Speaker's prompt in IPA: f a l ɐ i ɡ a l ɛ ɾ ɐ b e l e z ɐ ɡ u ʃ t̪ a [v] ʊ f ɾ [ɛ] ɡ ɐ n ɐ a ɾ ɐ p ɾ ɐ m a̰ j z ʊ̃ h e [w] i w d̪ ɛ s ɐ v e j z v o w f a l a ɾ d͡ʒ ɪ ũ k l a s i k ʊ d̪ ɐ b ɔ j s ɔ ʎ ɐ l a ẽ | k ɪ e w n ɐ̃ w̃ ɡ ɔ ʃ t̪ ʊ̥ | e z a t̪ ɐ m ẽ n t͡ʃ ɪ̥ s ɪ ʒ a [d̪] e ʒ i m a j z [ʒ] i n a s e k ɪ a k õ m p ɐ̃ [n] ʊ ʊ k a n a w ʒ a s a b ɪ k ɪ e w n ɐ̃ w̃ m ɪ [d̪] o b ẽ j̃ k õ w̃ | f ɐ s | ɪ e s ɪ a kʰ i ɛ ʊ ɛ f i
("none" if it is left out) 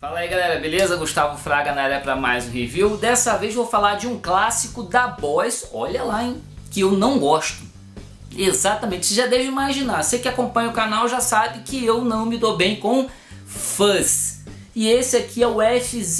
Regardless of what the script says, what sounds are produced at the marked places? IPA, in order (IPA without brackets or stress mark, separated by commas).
v, a, v, d̪, ʒ, ɲ, d̪